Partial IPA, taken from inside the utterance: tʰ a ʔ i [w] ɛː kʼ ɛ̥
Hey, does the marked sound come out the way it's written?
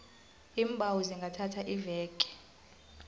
no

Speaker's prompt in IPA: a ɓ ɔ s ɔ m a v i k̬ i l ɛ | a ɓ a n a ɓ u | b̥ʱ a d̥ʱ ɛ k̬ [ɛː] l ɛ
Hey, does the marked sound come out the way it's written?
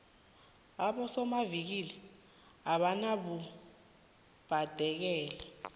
yes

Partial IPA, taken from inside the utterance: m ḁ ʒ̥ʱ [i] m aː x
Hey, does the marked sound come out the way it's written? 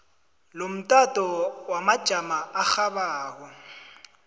no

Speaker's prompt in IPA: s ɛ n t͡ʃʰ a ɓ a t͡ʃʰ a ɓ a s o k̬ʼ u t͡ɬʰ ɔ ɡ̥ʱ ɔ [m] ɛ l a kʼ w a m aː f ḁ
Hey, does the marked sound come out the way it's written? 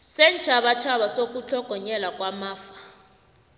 no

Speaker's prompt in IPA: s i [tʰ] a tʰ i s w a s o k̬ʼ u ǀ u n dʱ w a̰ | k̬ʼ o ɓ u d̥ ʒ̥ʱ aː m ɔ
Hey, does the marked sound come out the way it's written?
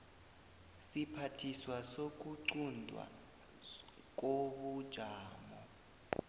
no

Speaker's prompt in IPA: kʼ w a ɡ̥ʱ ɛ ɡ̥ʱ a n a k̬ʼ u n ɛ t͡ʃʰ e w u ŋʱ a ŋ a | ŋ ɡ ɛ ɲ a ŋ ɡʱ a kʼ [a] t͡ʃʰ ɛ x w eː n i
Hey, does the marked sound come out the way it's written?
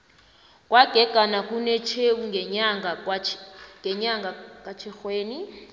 yes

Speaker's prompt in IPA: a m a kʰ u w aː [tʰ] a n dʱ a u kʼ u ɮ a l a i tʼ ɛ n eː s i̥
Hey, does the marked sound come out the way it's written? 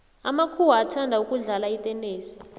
yes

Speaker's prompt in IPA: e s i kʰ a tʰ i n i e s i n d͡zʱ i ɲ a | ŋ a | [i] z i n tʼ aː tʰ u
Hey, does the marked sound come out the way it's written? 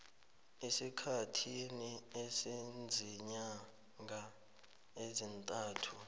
no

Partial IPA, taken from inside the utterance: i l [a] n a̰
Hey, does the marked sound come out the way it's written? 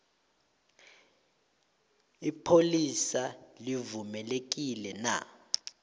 no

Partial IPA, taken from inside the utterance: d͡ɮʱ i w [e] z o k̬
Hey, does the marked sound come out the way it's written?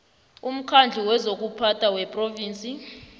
no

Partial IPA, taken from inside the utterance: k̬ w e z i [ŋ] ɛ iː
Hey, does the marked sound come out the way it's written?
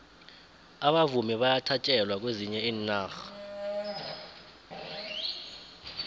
no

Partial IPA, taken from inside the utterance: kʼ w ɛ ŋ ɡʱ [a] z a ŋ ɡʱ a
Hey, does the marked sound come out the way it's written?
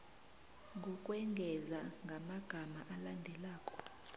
no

